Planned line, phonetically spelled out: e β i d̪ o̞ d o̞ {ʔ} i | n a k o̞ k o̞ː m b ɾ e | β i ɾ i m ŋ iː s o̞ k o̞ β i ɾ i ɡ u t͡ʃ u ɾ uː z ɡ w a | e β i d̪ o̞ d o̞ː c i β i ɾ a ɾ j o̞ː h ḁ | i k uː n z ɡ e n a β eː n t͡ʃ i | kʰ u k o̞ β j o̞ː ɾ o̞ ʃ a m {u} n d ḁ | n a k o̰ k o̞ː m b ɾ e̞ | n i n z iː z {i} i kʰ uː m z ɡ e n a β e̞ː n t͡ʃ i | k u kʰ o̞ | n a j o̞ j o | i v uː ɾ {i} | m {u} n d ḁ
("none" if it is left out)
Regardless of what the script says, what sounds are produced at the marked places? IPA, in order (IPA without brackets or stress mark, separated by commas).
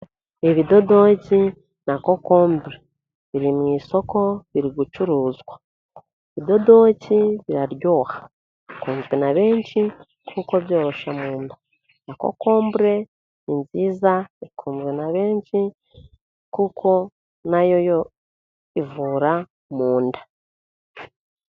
c, uː, a, a, uː